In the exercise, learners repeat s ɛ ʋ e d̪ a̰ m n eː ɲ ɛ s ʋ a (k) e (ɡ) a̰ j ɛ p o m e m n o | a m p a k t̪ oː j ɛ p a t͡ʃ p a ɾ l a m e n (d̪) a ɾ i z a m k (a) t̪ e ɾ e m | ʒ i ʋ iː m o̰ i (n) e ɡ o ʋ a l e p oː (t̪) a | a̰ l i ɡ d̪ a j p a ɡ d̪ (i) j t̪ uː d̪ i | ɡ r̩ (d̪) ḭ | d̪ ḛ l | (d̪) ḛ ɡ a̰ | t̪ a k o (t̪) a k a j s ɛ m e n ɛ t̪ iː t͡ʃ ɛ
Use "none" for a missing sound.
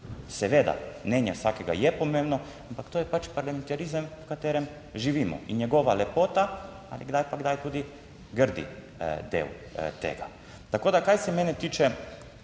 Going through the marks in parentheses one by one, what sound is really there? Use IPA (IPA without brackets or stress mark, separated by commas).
k, ɡ, t̪, a, ɲ, t̪, a, d̪, t̪, d̪